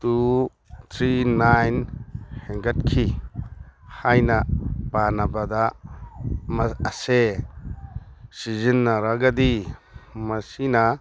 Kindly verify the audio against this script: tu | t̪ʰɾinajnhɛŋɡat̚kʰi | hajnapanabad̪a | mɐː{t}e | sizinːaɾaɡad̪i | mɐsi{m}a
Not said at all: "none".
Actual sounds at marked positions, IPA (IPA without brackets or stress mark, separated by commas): s, n